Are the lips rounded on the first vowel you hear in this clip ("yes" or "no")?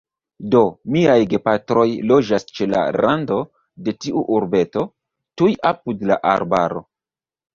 yes